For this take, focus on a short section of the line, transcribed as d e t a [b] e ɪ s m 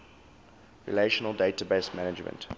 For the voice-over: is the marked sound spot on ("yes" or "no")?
yes